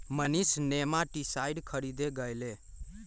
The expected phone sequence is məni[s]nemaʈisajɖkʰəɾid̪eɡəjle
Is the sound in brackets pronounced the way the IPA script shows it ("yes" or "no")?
yes